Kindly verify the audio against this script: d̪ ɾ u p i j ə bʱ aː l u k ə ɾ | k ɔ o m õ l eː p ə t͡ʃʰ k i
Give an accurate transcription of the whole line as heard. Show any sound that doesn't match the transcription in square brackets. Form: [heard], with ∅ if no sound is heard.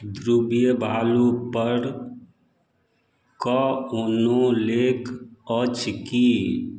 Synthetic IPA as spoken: d̪ ɾ u [b] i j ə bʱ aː l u [p] ə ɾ | k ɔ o [n] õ l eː [k] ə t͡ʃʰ k i